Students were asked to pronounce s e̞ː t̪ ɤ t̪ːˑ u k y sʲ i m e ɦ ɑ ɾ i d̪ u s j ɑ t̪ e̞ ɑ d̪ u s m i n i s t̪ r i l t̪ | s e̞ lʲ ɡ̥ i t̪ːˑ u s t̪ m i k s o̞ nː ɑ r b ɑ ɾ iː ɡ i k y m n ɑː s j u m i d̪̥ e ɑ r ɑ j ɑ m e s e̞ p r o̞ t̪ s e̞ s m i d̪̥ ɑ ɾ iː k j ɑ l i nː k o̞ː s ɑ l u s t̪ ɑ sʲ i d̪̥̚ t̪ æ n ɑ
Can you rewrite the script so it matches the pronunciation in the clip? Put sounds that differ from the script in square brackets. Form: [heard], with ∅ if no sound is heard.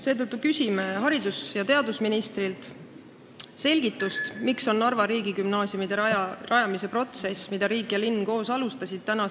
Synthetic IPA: s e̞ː t̪ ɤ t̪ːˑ u k y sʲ i m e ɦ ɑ ɾ i d̪ u s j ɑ t̪ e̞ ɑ d̪ u s m i n i s t̪ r i l t̪ | s e̞ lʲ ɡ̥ i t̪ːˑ u s t̪ m i k s o̞ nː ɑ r [v] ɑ ɾ iː ɡ i k y m n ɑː s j u m i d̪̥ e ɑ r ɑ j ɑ m [i] s e̞ p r o̞ t̪ s e̞ s m i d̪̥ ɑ ɾ iː k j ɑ l i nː k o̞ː s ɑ l u s t̪ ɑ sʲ i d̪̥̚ t̪ æ n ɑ